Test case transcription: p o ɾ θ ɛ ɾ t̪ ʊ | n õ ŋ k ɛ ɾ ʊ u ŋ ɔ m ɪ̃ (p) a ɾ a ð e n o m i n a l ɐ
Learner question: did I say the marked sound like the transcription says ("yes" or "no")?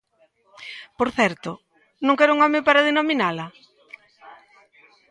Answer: yes